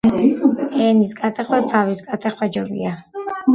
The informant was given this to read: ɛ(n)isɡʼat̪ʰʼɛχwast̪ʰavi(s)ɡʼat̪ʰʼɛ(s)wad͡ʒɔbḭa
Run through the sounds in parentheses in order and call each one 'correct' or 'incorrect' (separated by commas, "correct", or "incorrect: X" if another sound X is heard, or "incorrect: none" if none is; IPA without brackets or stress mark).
correct, correct, incorrect: χ